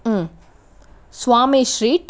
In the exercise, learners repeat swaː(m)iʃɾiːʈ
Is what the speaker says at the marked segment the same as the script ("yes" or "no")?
yes